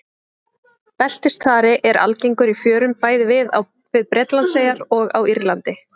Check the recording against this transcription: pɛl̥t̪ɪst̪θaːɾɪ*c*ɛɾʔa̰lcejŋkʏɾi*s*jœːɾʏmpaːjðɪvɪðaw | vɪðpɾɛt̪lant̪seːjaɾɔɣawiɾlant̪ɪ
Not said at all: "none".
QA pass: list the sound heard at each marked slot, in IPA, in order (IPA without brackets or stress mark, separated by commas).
ʔ, f